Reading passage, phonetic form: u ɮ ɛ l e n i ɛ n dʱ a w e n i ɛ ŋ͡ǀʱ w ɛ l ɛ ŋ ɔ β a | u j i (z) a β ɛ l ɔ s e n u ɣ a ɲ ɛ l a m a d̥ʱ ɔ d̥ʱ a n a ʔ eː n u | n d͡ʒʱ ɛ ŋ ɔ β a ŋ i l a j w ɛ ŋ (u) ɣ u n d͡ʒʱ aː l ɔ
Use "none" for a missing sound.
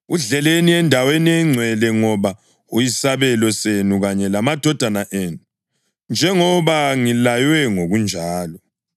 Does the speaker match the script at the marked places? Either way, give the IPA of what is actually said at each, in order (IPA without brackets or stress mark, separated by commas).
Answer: s, o